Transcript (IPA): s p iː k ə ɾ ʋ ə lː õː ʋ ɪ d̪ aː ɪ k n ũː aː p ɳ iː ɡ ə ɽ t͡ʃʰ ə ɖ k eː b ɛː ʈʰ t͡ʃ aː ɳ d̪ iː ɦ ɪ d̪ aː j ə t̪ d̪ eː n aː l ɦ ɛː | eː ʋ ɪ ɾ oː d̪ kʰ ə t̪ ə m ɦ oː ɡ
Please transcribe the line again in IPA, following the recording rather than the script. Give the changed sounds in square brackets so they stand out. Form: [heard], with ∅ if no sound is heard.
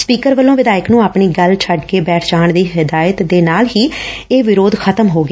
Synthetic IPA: s p iː k ə ɾ ʋ ə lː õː ʋ ɪ d̪ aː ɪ k n ũː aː p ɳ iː ɡ ə [l] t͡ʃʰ ə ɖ k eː b ɛː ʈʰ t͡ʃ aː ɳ d̪ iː ɦ ɪ d̪ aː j ə t̪ d̪ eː n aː l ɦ [iː] | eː ʋ ɪ ɾ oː d̪ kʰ ə t̪ ə m ɦ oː ɡ